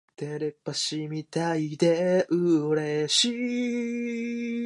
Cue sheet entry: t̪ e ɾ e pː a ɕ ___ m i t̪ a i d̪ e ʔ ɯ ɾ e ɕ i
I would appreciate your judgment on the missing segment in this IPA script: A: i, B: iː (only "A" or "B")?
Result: A